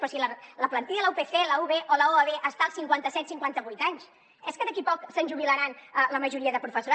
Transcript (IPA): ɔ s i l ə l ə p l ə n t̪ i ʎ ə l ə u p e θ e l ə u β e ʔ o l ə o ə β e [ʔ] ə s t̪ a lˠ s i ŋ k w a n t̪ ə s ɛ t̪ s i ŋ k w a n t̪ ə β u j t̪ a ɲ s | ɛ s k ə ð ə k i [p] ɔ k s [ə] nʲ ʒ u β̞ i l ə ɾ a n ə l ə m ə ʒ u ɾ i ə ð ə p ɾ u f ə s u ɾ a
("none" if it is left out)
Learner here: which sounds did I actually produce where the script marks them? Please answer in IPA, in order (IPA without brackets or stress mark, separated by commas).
ʔ, p, ə